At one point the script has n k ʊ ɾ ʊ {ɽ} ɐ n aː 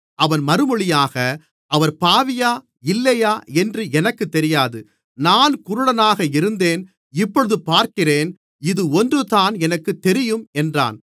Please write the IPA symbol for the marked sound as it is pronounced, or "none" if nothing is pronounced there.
ɽ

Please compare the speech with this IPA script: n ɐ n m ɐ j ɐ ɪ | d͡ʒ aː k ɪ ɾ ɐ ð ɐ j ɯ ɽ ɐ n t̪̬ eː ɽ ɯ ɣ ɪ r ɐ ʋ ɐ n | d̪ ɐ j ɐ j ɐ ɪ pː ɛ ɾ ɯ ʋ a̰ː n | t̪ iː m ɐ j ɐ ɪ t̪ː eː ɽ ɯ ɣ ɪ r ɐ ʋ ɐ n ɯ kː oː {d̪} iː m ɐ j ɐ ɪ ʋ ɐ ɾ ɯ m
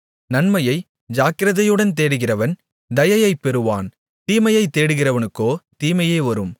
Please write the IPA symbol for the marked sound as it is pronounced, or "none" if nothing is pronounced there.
t̪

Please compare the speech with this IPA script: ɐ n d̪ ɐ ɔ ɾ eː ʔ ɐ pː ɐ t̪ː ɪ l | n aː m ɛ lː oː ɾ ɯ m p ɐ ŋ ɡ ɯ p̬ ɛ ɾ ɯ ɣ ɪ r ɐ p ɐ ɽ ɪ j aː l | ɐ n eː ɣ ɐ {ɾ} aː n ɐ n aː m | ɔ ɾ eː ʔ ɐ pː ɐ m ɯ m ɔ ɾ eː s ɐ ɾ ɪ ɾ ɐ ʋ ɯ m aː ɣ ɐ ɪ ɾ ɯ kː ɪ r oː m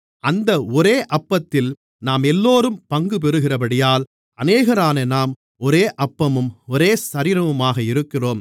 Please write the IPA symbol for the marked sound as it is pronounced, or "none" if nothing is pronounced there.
ɾ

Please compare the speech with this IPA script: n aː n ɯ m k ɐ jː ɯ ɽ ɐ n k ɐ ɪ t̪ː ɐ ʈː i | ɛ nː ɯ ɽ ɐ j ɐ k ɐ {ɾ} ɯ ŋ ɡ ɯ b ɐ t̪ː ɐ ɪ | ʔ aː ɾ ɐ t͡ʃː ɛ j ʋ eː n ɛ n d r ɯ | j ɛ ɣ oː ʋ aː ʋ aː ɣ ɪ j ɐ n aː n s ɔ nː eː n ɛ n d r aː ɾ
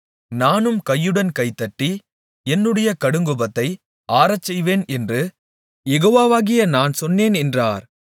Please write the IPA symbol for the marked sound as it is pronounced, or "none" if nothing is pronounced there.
ɽ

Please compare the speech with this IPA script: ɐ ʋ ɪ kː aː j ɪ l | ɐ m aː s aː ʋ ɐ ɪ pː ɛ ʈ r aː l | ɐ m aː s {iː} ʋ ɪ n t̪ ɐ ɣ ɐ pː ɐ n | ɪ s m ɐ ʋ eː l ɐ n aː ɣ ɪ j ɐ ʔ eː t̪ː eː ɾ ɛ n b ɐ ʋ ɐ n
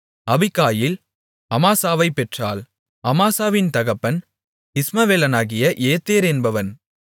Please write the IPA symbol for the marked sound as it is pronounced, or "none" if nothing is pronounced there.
aː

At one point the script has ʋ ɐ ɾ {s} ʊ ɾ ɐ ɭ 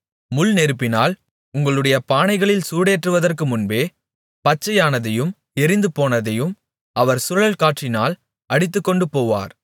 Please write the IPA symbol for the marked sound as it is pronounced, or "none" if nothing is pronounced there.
s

